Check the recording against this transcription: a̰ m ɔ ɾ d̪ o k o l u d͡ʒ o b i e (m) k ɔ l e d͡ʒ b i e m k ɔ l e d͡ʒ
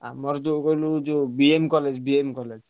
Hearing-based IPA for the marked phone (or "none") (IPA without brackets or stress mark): m